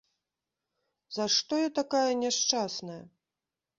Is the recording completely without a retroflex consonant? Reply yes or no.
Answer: no